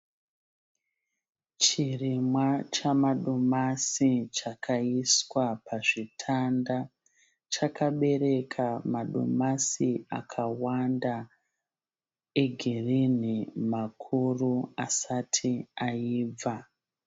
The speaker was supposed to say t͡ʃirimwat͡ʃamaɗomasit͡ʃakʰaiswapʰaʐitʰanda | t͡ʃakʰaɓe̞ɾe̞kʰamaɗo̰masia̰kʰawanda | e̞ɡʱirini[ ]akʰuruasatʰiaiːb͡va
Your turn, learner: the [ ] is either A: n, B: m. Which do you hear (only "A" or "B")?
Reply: B